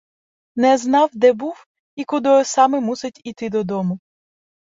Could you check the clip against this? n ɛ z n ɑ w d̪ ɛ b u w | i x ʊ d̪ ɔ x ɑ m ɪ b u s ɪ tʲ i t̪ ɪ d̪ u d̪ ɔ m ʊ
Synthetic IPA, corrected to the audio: n ɛ z n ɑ w d̪ ɛ b u w | i k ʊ d̪ ɔ s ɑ m ɪ m u s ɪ tʲ i t̪ ɪ d̪ ɔ d̪ ɔ m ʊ

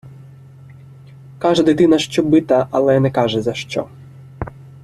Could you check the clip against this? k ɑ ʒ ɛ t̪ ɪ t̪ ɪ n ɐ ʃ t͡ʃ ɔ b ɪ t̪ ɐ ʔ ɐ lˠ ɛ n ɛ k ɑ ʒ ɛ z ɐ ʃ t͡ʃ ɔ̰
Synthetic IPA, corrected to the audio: k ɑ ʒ ɛ d̪ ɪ t̪ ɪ n ɐ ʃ t͡ʃ ɔ b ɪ t̪ ɐ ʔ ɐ lˠ ɛ n ɛ k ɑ ʒ ɛ z ɐ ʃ t͡ʃ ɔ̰

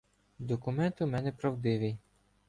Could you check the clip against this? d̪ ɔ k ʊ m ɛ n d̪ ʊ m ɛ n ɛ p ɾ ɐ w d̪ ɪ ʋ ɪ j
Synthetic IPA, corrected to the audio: d̪ ɔ k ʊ m ɛ n t̪ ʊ m ɛ n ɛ p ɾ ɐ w d̪ ɪ ʋ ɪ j

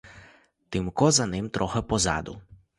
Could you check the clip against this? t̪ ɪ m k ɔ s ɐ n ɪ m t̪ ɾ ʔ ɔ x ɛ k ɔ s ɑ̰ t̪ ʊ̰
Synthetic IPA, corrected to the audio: t̪ ɪ m k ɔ z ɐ n ɪ m t̪ ɾ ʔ ɔ x ɛ p ɔ z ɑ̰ d̪ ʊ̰

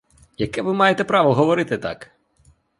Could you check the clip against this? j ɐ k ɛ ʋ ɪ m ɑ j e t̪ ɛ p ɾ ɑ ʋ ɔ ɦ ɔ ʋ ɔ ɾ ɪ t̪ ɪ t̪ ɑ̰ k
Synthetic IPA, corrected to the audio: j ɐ k ɛ ʋ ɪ m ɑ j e t̪ ɛ p ɾ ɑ ʋ ɔ ɦ ɔ ʋ ɔ ɾ ɪ t̪ ɪ t̪ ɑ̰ k

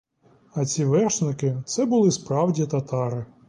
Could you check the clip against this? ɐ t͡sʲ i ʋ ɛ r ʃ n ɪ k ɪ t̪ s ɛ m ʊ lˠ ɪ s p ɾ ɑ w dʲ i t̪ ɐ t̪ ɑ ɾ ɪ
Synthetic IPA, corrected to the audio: ɐ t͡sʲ i ʋ ɛ r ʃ n ɪ k ɪ t̪ s ɛ b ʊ lˠ ɪ s p ɾ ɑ w dʲ i t̪ ɐ t̪ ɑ ɾ ɪ

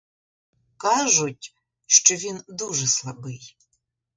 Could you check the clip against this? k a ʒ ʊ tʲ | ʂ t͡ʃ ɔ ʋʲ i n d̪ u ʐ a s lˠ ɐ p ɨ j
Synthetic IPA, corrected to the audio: k a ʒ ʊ tʲ | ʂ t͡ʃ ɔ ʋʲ i n d̪ u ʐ ɛ s lˠ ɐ b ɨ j

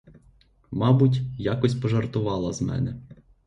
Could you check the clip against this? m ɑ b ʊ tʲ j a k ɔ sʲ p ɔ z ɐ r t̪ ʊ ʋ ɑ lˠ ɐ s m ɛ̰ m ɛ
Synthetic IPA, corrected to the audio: m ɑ b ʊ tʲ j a k ɔ sʲ p ɔ ʒ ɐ r t̪ ʊ ʋ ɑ lˠ ɐ z m ɛ̰ n ɛ

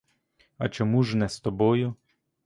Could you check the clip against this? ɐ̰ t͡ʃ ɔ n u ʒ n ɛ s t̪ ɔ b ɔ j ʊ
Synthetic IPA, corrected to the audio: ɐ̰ t͡ʃ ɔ m u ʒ n ɛ s t̪ ɔ b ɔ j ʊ

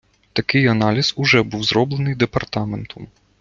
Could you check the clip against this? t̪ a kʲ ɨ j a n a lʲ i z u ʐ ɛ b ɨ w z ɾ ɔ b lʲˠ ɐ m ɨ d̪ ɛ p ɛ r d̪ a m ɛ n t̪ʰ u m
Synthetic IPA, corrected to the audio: t̪ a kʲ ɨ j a n a lʲ i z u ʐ ɛ b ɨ w z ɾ ɔ b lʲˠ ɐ n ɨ d̪ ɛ p a r t̪ a m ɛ n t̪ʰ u m

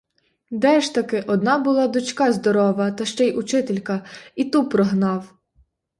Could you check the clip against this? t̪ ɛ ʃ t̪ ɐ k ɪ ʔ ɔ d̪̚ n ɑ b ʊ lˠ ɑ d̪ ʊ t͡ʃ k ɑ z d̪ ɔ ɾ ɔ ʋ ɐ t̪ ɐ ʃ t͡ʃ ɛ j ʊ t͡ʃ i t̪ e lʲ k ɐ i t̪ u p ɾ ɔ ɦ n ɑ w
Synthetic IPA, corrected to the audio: d̪ ɛ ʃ t̪ ɐ k ɪ ʔ ɔ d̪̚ n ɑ b ʊ lˠ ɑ d̪ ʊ t͡ʃ k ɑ z d̪ ɔ ɾ ɔ ʋ ɐ t̪ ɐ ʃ t͡ʃ ɛ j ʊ t͡ʃ ɪ t̪ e lʲ k ɐ i t̪ u p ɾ ɔ ɦ n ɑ w

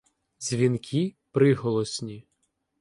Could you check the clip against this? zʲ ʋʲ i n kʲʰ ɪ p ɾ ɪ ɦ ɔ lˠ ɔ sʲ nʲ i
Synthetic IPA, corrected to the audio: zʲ ʋʲ i n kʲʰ i p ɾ ɪ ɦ ɔ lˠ ɔ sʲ nʲ i

